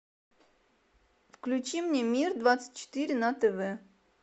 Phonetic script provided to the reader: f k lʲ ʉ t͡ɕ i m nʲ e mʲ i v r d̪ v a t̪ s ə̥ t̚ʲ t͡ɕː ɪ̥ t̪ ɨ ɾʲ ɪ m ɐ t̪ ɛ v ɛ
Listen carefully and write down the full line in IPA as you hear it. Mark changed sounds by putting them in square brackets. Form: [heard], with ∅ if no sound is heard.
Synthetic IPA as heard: f k lʲ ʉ t͡ɕ i m nʲ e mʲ i [∅] r d̪ v a t̪ s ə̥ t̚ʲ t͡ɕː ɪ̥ t̪ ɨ ɾʲ ɪ [n] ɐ t̪ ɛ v ɛ